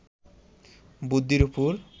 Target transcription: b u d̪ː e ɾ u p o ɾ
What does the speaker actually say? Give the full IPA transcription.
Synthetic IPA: b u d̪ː i ɾ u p u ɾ